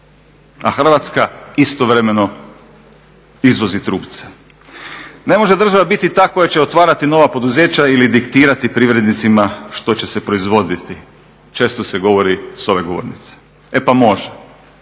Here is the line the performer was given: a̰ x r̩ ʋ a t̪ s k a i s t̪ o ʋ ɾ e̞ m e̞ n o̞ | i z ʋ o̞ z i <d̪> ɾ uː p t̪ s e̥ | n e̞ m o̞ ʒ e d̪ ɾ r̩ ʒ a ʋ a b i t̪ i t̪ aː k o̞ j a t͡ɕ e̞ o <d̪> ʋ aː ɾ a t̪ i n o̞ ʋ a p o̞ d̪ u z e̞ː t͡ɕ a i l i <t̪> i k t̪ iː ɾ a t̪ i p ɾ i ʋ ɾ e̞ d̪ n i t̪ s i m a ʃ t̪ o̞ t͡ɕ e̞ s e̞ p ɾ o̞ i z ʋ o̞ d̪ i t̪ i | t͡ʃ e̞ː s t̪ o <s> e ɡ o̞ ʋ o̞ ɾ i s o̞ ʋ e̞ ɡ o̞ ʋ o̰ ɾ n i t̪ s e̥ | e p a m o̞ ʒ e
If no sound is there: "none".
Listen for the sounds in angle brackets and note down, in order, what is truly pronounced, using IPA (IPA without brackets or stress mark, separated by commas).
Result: t̪, t̪, d̪, s